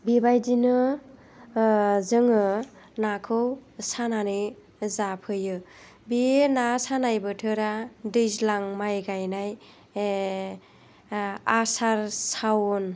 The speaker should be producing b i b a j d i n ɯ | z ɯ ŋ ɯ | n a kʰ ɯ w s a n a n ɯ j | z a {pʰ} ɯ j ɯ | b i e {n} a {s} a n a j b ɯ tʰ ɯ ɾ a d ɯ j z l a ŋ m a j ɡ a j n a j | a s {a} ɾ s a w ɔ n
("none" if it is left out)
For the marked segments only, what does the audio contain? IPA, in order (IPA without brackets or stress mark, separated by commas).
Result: pʰ, n, s, a